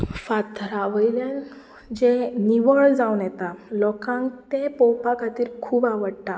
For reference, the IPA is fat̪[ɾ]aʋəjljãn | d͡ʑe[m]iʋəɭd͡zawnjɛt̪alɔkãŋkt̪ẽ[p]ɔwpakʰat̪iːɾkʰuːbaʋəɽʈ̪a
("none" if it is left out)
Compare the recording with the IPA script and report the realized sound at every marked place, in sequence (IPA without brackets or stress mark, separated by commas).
ɾ, n, p